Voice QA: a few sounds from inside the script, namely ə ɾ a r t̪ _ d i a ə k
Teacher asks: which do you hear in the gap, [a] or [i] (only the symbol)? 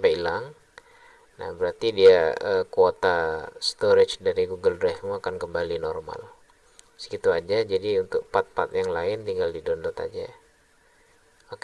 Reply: i